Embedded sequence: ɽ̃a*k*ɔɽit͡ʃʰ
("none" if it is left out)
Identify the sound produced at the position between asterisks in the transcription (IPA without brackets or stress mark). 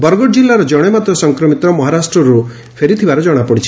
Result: p